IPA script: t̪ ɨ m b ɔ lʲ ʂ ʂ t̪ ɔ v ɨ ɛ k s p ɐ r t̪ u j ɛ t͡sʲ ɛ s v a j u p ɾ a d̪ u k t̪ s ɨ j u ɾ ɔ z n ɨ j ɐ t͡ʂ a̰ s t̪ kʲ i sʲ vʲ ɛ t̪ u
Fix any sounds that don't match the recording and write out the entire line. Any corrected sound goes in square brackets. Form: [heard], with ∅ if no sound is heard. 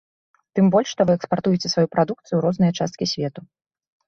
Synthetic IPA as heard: t̪ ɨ m b ɔ lʲ ʂ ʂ t̪ ɔ v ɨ ɛ k s p [a] r t̪ u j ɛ t͡sʲ ɛ s v a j u p ɾ a d̪ u k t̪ s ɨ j u ɾ ɔ z n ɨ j ɐ t͡ʂ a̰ s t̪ kʲ i sʲ vʲ ɛ t̪ u